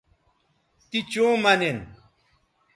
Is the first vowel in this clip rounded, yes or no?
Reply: no